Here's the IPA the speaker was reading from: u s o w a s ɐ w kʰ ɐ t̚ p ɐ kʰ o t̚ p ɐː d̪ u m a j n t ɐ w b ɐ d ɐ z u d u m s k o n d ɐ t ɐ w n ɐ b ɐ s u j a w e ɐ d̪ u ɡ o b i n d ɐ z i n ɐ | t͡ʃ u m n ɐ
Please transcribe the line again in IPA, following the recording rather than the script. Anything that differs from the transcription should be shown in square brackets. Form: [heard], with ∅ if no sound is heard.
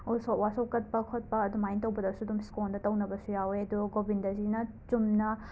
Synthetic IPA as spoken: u s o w a s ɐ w [k] ɐ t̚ p ɐ kʰ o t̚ p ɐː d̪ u m a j n t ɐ w b ɐ d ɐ [s] u d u m s k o n d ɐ t ɐ w n ɐ b ɐ s u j a w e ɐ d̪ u ɡ o b i n d ɐ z i n ɐ | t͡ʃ u m n ɐ